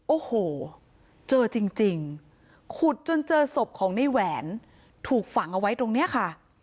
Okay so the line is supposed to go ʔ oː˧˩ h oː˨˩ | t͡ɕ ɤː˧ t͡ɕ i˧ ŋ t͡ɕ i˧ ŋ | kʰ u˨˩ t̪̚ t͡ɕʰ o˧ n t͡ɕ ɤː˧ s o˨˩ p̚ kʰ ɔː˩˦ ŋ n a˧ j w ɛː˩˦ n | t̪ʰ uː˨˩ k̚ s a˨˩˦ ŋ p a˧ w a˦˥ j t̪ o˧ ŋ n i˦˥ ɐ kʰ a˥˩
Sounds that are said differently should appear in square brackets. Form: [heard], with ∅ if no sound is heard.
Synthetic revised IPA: ʔ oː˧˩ h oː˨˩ | t͡ɕ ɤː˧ t͡ɕ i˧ ŋ t͡ɕ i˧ ŋ | kʰ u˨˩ t̪̚ [t͡ɕ] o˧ n t͡ɕ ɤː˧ s o˨˩ p̚ kʰ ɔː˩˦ ŋ n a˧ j w ɛː˩˦ n | t̪ʰ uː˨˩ k̚ [f] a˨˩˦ ŋ [ʔ] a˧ w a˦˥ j t̪ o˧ ŋ n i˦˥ ɐ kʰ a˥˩